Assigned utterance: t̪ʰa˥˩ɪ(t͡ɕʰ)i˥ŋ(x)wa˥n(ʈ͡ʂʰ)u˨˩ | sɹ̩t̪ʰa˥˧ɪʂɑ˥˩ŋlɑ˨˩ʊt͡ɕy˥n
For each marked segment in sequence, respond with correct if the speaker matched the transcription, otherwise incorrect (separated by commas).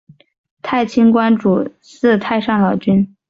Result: correct, incorrect, incorrect